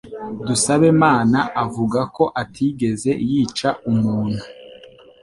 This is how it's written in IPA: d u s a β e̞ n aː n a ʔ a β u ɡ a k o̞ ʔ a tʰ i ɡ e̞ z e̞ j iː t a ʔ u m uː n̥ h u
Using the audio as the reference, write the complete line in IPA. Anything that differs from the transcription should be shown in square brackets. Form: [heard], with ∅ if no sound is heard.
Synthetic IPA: d u s a β e̞ [m] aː n a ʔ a [v] u ɡ a k o̞ ʔ a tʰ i ɡ e̞ z e̞ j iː [t͡ʃ] a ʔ u m uː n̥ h u

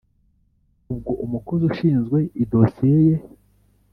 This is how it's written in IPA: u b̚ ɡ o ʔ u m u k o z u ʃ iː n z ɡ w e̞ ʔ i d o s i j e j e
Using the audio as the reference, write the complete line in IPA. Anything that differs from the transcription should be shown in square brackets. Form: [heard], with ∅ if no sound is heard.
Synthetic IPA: u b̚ ɡ o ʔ u m u k o z u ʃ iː n z ɡ w e̞ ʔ i d o s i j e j e

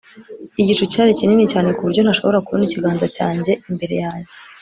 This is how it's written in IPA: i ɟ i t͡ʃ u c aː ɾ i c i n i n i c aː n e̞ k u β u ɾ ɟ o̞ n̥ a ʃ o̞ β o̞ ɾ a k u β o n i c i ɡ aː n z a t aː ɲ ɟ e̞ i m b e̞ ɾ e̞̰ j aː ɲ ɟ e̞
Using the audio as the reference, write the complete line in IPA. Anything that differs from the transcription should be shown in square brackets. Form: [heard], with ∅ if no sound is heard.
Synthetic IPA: i ɟ i t͡ʃ u c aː ɾ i c i n i n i c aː n e̞ k u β u ɾ ɟ o̞ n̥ a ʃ o̞ β o̞ ɾ a k u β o n i c i ɡ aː n z a [c] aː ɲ ɟ e̞ i m b e̞ ɾ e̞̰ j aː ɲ ɟ e̞

